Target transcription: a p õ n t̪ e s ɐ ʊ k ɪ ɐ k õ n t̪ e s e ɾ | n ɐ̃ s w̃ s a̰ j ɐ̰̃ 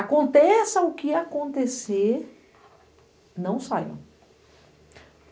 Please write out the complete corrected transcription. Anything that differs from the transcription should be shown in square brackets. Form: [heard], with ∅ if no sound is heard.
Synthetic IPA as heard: a [k] õ n t̪ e s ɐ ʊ k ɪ [a] k õ n t̪ e s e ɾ | n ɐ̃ [∅] w̃ s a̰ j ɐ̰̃